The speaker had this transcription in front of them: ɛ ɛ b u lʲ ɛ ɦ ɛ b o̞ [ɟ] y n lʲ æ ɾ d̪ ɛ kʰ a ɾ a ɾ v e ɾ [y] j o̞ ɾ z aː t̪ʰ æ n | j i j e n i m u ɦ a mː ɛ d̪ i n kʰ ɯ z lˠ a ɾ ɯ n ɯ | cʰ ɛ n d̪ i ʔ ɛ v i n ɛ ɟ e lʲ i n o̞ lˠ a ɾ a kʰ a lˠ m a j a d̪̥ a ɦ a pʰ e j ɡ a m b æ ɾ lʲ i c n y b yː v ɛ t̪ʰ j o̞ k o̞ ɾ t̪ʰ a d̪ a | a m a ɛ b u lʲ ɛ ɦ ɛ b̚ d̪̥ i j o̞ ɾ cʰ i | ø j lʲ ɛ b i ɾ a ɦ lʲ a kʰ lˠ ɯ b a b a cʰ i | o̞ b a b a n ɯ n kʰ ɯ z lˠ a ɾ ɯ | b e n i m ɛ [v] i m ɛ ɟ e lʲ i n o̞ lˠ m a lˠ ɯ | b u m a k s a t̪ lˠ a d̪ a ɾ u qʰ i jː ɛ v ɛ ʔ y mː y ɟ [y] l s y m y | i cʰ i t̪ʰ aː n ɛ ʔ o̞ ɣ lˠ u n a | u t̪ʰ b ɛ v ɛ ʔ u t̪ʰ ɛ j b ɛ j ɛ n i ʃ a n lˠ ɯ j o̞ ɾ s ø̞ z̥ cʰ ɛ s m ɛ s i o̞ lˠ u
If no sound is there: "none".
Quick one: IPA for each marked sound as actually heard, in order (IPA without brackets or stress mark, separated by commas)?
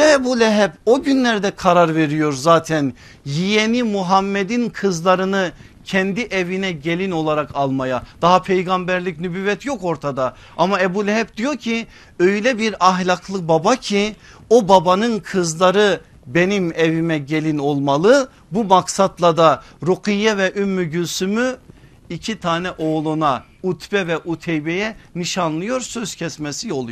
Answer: ɟ, i, v, y